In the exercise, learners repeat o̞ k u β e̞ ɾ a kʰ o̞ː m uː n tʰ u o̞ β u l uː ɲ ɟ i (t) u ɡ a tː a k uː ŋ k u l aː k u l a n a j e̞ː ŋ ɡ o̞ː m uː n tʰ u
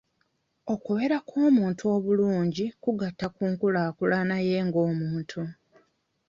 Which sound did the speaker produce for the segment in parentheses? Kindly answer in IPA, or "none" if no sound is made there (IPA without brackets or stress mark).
k